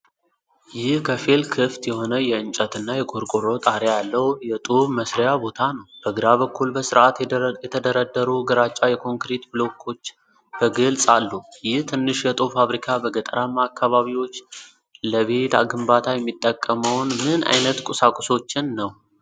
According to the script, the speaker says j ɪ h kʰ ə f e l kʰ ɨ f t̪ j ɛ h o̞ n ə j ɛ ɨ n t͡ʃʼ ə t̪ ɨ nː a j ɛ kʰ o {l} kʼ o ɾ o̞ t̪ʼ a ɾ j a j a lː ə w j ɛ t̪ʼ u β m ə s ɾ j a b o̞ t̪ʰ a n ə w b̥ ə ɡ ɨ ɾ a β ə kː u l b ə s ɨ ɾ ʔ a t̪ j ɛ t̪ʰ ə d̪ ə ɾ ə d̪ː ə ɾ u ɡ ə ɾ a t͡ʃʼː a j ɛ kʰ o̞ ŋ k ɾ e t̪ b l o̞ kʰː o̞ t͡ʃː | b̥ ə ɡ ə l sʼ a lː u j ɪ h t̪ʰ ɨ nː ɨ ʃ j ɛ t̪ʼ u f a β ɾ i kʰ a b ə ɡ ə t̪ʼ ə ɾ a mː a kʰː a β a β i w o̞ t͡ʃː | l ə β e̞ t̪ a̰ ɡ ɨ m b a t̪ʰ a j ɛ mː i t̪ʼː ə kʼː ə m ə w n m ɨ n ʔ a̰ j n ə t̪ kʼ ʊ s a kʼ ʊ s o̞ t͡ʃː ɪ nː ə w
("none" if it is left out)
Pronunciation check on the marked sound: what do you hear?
ɾ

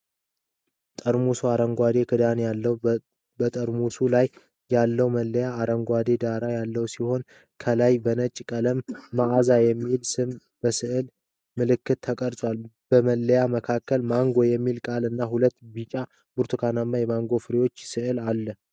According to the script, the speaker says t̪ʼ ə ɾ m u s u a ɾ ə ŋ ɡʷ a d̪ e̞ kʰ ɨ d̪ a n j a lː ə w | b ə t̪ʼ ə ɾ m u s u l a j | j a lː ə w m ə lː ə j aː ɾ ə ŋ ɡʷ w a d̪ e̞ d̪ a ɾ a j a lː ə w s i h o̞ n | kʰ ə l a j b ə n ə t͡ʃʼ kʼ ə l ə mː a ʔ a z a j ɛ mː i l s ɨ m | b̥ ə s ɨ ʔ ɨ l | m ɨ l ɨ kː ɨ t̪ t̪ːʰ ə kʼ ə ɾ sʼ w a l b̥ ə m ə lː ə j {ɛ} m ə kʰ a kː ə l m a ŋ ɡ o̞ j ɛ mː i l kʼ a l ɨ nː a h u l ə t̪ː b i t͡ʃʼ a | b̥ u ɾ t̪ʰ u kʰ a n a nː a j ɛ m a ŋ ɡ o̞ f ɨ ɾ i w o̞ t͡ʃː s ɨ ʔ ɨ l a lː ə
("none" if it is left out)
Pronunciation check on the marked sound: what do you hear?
a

